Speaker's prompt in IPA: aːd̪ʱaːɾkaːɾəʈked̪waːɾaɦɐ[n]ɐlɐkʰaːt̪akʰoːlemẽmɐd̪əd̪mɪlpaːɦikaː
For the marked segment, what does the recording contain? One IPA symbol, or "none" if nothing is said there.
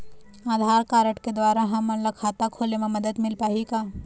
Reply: m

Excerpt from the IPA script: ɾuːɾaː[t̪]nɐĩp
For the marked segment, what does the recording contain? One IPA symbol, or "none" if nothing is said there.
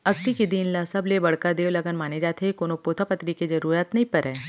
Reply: t̪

